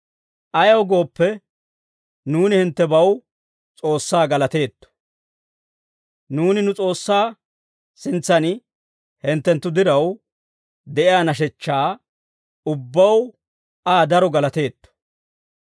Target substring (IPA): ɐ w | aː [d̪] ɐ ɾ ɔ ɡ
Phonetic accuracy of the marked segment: correct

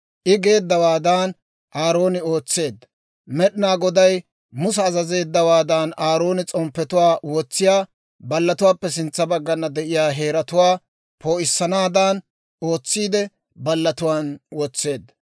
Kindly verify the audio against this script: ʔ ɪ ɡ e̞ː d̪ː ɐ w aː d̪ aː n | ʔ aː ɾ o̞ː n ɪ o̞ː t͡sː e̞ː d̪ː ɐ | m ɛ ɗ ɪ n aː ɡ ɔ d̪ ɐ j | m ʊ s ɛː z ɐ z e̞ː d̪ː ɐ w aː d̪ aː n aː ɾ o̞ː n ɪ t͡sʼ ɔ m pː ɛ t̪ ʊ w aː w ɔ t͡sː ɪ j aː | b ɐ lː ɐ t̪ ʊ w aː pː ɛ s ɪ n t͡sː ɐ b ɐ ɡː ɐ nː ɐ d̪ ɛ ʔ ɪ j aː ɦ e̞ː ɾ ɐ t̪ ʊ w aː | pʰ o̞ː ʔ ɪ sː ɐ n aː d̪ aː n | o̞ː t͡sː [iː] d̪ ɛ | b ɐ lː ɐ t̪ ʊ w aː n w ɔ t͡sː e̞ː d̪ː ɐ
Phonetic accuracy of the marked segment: correct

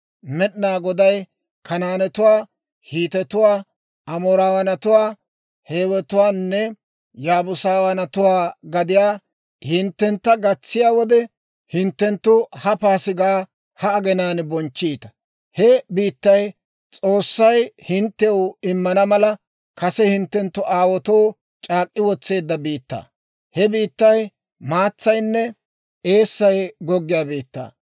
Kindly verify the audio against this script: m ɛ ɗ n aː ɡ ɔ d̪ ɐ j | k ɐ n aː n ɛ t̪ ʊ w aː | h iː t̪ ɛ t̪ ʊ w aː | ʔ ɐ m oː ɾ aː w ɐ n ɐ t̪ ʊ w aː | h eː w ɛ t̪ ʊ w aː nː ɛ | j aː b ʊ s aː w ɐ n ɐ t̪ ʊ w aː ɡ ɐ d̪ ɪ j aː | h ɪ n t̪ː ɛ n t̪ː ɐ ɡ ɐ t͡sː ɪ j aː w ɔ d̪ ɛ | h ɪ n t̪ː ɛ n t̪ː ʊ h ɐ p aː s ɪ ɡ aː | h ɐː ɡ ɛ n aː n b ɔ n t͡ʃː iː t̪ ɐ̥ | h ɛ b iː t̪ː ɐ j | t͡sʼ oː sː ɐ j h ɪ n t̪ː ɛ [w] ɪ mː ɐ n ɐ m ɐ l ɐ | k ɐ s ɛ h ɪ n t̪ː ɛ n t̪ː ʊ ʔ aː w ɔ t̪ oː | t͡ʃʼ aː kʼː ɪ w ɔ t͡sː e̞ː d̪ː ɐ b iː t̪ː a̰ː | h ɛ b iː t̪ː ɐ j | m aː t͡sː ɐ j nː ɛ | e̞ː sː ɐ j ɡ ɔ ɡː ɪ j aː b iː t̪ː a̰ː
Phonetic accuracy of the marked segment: correct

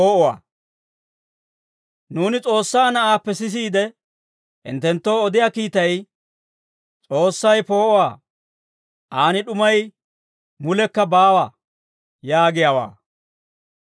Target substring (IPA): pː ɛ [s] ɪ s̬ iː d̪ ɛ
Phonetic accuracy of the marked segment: correct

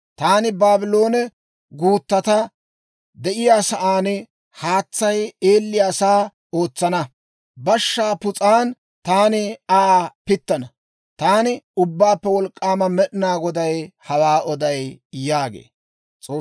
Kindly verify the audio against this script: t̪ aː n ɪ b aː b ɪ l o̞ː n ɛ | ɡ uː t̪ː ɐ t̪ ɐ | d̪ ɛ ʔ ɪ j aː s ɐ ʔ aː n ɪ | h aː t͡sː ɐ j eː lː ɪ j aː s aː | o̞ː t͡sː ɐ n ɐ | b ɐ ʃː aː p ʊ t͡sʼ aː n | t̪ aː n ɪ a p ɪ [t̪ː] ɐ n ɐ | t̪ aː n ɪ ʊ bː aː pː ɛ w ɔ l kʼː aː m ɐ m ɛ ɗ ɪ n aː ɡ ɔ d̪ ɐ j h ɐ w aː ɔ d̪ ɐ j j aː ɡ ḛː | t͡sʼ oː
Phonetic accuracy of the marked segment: correct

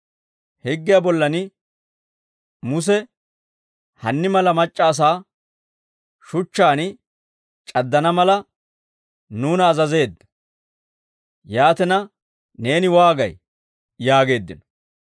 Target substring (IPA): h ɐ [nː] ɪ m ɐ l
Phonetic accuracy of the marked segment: correct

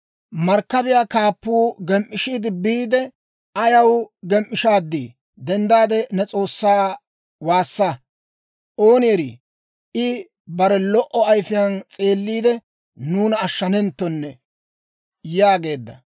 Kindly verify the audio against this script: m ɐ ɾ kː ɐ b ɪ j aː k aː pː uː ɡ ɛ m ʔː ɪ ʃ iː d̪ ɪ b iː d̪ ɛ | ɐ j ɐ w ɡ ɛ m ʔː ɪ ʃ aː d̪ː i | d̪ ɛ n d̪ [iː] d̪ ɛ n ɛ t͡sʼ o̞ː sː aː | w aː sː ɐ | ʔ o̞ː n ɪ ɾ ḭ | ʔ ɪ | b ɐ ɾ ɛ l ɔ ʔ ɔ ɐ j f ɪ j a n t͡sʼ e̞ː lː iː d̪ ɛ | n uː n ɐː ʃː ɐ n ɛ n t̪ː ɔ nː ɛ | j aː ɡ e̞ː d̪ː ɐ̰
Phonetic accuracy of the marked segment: incorrect: aː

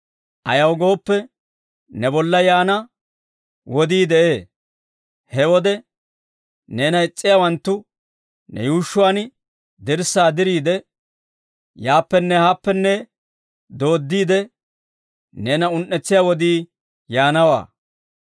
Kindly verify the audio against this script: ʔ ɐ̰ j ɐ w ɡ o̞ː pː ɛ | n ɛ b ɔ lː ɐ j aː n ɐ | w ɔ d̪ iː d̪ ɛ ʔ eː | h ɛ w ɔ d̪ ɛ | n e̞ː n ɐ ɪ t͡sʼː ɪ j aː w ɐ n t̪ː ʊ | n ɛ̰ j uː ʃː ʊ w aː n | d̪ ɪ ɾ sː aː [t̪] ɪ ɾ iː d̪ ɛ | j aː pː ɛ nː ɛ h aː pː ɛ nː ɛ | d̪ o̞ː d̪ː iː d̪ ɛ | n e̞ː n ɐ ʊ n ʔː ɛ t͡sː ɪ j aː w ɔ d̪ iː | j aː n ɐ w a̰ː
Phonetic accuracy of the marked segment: incorrect: d̪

